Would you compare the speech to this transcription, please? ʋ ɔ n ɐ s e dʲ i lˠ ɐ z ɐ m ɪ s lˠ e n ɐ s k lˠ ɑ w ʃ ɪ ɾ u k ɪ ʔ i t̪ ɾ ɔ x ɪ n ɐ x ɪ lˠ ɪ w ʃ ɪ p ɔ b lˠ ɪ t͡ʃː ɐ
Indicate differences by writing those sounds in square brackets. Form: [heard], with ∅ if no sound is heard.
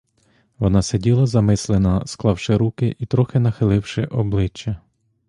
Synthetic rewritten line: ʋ ɔ n [ɑ] s e dʲ i lˠ ɐ z ɐ m ɪ s lˠ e n ɐ s k lˠ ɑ w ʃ ɪ ɾ u k ɪ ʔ i t̪ ɾ ɔ x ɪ n ɐ x ɪ lˠ ɪ w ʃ ɪ [ʔ] ɔ b lˠ ɪ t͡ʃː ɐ

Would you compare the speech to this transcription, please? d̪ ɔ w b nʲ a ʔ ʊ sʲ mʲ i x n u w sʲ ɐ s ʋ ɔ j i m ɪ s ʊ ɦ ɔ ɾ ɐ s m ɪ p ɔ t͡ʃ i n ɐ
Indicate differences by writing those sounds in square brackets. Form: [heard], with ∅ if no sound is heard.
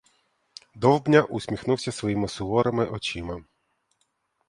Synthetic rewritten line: d̪ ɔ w b nʲ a ʔ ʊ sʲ mʲ i x n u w sʲ ɐ s ʋ ɔ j i m ɪ s ʊ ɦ ɔ ɾ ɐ [∅] m ɪ [ʔ] ɔ t͡ʃ i [m] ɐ

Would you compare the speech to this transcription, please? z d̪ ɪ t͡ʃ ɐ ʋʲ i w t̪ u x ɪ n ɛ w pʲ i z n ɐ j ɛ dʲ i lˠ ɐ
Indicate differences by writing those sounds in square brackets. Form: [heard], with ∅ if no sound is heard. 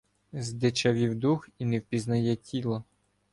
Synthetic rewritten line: z d̪ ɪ t͡ʃ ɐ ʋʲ i w [d̪] u x [i] n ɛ w pʲ i z n ɐ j ɛ [tʲ] i lˠ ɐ

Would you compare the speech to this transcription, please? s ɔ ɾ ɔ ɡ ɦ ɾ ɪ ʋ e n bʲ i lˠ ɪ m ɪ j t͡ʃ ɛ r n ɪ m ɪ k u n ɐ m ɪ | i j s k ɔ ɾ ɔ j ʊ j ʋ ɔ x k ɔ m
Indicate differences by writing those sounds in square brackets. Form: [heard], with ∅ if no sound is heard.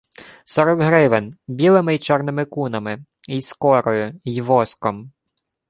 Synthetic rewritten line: s ɔ ɾ ɔ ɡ ɦ ɾ ɪ ʋ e n bʲ i lˠ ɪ m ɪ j t͡ʃ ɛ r n ɪ m ɪ k u n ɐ m ɪ | i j s k ɔ ɾ ɔ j ʊ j ʋ ɔ [s] k ɔ m

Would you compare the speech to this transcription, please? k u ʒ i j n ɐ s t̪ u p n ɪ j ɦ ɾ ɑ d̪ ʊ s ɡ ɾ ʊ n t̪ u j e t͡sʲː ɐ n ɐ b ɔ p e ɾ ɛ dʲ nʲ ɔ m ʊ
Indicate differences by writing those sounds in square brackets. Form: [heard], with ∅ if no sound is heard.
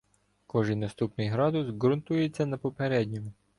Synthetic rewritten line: k [ɔ] ʒ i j n ɐ s t̪ u p n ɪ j ɦ ɾ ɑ d̪ ʊ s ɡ ɾ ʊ n t̪ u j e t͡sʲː ɐ n ɐ [p] ɔ p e ɾ ɛ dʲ nʲ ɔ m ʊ

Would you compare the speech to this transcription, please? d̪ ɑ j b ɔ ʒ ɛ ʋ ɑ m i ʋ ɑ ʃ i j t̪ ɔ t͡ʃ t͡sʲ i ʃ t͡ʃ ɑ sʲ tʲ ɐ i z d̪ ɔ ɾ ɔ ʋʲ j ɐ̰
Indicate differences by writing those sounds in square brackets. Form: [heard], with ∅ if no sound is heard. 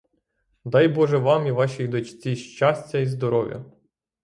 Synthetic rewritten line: d̪ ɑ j b ɔ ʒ ɛ ʋ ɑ m i ʋ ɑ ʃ i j [d̪] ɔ t͡ʃ t͡sʲ i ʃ t͡ʃ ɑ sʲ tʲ ɐ i z d̪ ɔ ɾ ɔ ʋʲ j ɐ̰

